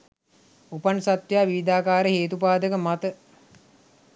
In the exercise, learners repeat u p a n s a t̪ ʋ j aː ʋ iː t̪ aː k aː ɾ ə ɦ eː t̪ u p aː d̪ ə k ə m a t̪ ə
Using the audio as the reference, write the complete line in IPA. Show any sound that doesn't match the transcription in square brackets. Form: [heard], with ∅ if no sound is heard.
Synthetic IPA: u p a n s a t̪ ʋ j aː ʋ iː [d̪] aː k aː ɾ ə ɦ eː t̪ u p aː d̪ ə k ə m a t̪ ə